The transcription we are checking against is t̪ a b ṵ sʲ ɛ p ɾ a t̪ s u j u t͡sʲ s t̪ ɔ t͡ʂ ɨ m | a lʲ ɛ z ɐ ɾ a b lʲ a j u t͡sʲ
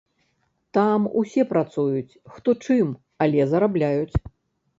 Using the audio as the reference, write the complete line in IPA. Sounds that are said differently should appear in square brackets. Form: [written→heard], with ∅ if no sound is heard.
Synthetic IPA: t̪ a [b→m] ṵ sʲ ɛ p ɾ a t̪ s u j u t͡sʲ [s→x] t̪ ɔ t͡ʂ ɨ m | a lʲ ɛ z ɐ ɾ a b lʲ a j u t͡sʲ